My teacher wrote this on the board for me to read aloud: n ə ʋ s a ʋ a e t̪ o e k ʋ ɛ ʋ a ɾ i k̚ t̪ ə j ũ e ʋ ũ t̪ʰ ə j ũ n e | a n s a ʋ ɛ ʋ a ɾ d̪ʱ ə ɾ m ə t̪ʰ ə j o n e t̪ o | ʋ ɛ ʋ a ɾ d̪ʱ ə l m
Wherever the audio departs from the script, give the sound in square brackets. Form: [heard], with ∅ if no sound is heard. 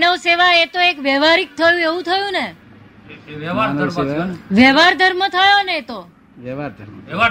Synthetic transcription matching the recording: n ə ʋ s [e] ʋ a e t̪ o e k ʋ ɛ ʋ a ɾ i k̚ [t̪ʰ] ə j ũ e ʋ ũ t̪ʰ ə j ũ n e | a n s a ʋ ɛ ʋ a ɾ d̪ʱ ə ɾ m ə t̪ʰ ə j o n e t̪ o | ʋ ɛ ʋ a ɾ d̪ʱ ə [ɾ] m